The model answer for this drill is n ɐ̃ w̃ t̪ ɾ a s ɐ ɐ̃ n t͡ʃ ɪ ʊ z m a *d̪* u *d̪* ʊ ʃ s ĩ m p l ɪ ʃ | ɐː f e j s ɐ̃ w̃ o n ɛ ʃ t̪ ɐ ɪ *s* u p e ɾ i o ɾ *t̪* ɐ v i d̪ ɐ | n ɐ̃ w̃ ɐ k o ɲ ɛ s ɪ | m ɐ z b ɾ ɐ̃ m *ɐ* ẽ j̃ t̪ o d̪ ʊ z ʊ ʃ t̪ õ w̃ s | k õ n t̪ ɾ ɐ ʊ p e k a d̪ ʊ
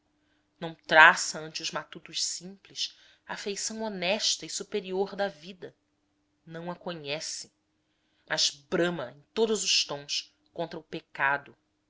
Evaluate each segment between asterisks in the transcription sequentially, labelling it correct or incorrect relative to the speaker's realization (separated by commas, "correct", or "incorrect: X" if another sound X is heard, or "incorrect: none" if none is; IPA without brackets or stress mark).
incorrect: t̪, incorrect: t̪, correct, incorrect: d̪, correct